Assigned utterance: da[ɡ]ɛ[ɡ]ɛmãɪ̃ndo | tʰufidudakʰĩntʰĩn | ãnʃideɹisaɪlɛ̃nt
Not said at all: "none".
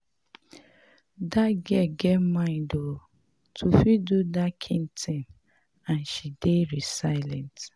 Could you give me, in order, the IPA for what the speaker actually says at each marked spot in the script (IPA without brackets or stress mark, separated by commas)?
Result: ɡ, ɡ